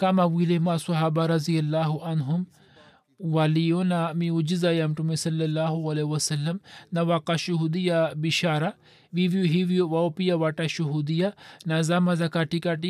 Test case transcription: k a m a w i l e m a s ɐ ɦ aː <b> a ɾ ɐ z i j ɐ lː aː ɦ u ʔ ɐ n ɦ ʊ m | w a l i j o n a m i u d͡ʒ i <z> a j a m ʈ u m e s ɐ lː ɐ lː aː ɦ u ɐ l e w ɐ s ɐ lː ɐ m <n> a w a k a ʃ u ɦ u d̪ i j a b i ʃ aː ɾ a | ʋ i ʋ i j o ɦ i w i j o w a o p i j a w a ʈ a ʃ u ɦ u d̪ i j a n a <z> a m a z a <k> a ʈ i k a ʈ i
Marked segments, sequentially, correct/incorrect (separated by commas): correct, correct, correct, correct, correct